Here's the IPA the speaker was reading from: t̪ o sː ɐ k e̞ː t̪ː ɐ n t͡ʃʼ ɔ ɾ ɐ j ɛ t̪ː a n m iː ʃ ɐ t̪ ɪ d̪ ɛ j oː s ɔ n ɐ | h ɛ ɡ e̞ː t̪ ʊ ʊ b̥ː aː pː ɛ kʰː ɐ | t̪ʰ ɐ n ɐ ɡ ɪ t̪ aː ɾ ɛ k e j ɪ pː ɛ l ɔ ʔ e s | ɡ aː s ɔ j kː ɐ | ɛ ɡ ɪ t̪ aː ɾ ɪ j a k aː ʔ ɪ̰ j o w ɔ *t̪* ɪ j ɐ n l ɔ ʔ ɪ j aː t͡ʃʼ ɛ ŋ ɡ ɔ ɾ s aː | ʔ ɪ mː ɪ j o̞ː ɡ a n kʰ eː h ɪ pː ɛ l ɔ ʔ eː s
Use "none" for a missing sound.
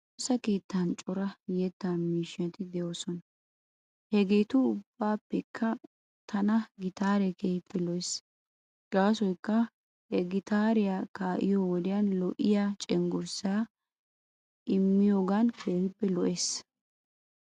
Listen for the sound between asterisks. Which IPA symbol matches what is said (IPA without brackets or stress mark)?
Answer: d̪